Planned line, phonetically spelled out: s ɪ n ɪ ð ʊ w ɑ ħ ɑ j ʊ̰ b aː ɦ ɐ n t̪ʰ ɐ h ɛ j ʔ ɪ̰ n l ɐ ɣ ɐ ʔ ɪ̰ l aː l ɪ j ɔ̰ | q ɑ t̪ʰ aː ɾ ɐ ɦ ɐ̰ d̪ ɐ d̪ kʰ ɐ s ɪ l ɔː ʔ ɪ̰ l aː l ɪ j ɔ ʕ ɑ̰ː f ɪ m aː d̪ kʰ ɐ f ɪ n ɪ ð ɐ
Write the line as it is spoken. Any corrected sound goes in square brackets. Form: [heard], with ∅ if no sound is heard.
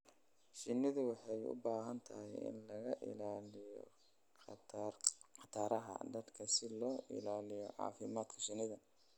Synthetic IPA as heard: [ʃ] ɪ n ɪ ð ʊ w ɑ ħ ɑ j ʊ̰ b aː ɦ ɐ n t̪ʰ ɐ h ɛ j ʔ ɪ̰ n l ɐ ɣ ɐ ʔ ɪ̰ l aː l ɪ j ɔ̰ | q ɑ t̪ʰ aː ɾ ɐ ɦ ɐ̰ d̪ ɐ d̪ kʰ ɐ s ɪ l ɔː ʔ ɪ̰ l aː l ɪ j ɔ ʕ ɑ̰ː f ɪ m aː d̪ kʰ ɐ [ʃ] ɪ n ɪ ð ɐ